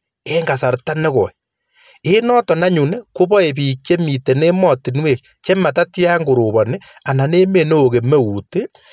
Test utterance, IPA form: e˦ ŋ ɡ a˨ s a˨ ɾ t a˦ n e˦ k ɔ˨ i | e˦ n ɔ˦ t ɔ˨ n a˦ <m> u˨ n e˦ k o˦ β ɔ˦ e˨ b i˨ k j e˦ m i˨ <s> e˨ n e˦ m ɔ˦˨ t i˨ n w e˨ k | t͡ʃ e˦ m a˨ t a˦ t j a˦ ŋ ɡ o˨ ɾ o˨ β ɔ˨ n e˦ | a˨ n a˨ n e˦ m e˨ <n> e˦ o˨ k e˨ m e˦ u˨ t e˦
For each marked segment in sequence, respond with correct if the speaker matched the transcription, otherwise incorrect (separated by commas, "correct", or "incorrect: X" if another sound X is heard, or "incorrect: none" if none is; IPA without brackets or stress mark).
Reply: incorrect: ɲ, incorrect: t, correct